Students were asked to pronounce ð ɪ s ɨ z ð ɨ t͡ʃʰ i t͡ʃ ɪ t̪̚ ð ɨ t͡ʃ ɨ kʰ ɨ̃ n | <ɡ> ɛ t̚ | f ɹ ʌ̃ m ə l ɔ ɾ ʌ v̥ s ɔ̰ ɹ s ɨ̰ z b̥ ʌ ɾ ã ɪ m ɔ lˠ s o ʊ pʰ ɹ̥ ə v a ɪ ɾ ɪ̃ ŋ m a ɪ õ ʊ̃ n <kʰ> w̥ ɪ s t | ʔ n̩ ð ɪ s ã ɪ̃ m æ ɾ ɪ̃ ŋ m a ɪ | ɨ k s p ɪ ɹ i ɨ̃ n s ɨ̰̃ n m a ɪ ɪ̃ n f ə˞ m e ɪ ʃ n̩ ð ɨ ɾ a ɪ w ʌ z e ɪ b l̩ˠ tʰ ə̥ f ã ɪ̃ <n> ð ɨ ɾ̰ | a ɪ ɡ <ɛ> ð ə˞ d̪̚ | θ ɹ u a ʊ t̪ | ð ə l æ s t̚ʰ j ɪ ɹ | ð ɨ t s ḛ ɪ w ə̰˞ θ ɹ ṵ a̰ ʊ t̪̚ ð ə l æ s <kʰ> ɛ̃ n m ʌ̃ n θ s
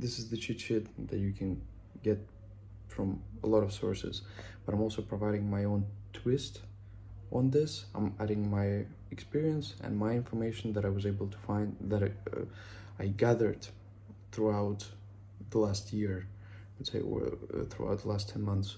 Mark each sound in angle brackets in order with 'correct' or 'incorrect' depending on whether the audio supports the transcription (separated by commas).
correct, incorrect, correct, incorrect, incorrect